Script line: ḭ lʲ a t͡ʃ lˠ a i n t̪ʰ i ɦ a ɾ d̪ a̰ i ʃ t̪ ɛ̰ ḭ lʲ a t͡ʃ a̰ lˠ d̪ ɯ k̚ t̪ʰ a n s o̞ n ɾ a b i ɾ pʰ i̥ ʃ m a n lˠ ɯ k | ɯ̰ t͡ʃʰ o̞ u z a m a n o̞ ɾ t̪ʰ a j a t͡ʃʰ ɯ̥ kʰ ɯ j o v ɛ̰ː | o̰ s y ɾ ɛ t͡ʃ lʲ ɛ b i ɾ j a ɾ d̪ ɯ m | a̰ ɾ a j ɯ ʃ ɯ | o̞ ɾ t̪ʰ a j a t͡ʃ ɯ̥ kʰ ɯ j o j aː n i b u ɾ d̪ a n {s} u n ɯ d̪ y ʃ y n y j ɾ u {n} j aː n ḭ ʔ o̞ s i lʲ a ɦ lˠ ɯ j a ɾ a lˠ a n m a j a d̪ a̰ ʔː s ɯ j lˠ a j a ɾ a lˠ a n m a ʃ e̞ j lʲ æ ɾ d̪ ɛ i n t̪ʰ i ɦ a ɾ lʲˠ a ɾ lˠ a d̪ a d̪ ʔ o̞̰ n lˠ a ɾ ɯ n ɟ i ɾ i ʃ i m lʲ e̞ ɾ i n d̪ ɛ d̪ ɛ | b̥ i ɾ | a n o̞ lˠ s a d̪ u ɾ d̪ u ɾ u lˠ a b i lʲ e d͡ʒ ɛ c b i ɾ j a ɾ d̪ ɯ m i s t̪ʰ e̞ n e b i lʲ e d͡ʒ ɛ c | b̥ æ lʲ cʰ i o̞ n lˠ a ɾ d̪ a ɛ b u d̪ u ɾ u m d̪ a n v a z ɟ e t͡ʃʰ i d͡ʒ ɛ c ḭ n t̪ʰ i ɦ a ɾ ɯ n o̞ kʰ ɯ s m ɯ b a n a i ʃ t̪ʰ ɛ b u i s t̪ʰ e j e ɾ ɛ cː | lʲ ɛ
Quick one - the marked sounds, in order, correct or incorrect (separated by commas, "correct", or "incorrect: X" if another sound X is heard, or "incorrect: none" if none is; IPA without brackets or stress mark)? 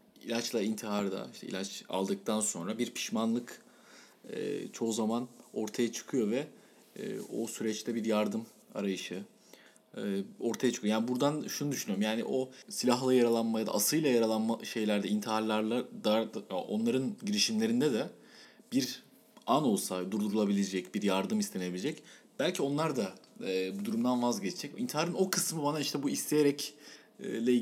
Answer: incorrect: ʃ, incorrect: m